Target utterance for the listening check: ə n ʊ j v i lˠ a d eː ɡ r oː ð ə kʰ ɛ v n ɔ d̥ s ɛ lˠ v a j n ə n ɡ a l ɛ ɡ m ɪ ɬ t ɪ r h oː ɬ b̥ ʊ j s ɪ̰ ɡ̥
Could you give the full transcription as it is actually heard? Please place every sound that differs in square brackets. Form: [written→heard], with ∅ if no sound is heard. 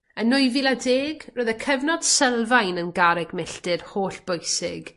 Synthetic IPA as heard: ə n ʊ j v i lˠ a d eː ɡ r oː ð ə kʰ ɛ v n ɔ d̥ s ɛ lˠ v a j n ə n ɡ a [l→ɾ] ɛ ɡ m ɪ ɬ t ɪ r h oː ɬ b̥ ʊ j s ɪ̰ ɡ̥